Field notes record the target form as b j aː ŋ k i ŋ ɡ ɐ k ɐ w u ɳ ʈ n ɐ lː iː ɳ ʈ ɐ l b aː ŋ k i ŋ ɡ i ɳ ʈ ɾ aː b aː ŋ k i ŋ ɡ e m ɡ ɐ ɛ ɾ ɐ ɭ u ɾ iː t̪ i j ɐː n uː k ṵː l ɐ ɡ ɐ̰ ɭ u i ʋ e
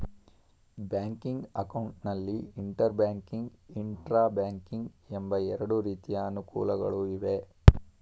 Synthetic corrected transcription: b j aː ŋ k i ŋ ɡ ɐ k ɐ w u ɳ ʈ n ɐ lː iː ɳ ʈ ɐ ɾ b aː ŋ k i ŋ ɡ i ɳ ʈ ɾ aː b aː ŋ k i ŋ ɡ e m b ɐ ɛ ɾ ɐ ɽ u ɾ iː t̪ i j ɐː n u k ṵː l ɐ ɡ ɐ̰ ɭ u i ʋ e